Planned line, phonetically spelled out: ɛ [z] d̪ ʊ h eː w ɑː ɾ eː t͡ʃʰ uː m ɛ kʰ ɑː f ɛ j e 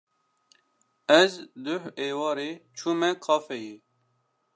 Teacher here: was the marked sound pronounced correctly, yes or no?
yes